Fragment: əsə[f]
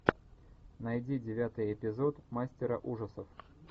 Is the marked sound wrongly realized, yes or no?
no